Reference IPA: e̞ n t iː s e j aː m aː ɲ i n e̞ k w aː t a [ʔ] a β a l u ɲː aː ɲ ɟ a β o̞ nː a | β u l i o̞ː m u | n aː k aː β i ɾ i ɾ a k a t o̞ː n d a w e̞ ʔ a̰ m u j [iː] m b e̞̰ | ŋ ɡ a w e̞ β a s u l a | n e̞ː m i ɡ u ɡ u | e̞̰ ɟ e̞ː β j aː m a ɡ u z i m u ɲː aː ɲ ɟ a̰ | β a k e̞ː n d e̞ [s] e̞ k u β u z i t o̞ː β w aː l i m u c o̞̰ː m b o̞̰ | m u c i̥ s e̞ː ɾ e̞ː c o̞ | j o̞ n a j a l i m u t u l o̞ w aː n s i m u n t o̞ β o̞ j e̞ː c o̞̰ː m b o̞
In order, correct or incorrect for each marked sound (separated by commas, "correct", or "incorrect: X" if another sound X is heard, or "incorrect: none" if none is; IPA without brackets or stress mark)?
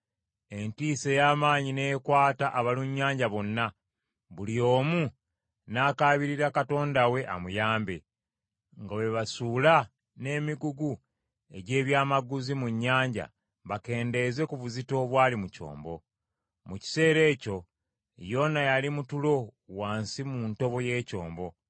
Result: correct, incorrect: aː, incorrect: z